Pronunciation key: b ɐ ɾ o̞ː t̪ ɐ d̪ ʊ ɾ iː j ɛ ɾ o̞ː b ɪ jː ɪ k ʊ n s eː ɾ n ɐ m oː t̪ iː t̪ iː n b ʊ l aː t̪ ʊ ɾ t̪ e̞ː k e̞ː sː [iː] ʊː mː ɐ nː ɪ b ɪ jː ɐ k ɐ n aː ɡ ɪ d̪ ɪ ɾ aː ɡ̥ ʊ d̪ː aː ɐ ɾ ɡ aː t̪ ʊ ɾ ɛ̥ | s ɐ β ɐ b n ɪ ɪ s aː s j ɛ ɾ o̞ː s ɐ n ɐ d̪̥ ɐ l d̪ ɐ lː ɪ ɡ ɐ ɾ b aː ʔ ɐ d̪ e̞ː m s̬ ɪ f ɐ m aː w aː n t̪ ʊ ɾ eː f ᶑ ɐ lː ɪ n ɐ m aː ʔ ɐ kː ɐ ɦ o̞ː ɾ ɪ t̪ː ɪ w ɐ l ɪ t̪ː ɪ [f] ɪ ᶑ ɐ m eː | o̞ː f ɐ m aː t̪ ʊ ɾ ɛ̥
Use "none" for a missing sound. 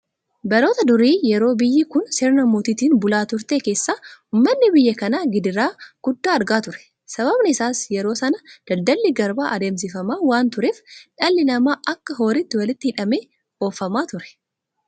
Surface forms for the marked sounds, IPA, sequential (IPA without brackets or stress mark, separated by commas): aː, h